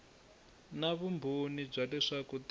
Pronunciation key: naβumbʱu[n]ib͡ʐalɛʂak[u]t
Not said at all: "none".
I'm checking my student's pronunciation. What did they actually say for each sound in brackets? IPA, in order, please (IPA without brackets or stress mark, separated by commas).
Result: n, u